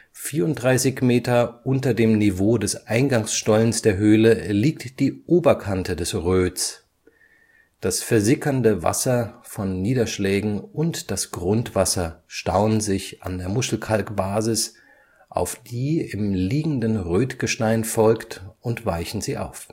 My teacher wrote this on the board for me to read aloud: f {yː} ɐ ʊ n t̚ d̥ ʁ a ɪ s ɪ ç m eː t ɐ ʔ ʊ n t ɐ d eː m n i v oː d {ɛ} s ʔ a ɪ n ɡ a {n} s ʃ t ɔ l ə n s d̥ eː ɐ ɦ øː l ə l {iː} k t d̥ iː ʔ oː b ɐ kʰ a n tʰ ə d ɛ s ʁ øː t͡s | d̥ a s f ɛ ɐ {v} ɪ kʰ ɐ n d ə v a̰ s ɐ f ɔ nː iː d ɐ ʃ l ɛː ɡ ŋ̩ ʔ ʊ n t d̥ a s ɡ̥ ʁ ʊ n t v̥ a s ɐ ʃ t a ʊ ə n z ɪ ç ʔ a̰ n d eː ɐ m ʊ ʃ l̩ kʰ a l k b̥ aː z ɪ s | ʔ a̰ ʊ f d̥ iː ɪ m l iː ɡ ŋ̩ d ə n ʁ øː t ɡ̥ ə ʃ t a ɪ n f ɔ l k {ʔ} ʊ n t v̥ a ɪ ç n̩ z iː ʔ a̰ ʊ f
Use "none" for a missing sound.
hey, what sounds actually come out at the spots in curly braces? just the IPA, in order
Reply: iː, ɛ, ŋ, iː, z, t

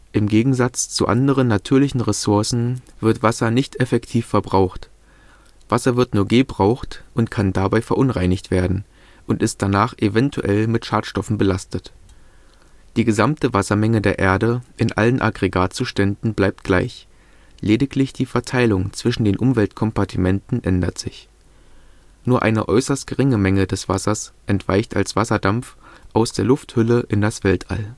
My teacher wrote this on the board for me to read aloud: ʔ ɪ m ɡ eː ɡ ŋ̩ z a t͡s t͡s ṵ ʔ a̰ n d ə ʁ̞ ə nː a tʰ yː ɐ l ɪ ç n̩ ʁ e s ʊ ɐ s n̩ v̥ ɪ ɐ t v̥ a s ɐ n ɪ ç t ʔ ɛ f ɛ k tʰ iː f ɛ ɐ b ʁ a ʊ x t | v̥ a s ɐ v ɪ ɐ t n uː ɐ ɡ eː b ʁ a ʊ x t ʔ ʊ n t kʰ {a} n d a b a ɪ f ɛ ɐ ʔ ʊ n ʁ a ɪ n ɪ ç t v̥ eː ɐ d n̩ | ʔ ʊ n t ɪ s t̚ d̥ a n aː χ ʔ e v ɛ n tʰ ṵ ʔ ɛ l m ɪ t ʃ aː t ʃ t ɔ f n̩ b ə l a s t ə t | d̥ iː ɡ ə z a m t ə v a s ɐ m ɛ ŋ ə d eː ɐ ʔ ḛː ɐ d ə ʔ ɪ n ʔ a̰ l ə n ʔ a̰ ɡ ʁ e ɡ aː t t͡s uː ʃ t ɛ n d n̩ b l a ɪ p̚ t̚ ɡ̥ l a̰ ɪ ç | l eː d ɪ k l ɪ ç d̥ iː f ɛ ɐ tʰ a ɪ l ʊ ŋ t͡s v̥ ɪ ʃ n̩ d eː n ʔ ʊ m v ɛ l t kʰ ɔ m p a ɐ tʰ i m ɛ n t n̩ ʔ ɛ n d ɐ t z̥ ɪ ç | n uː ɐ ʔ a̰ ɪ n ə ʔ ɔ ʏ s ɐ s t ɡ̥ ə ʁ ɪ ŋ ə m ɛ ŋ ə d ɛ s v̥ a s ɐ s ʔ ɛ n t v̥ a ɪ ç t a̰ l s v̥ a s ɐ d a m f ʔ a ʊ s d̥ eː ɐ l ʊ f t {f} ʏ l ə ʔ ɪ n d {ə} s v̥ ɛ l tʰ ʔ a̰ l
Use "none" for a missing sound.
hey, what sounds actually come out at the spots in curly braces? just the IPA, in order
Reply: a, h, a

